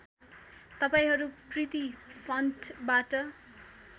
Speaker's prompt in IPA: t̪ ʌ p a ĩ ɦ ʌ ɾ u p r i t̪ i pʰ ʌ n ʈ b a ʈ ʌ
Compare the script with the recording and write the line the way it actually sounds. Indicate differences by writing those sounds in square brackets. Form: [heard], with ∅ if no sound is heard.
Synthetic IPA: t̪ ʌ p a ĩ ɦ ʌ ɾ u p r i t̪ i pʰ ʌ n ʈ b a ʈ ʌ